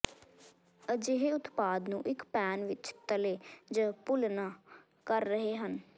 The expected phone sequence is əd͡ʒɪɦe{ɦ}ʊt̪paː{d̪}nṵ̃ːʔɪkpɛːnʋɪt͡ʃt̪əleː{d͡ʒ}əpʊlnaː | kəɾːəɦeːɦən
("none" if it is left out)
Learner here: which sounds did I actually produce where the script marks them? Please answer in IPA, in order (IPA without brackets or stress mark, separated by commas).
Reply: none, d̪, d͡ʒ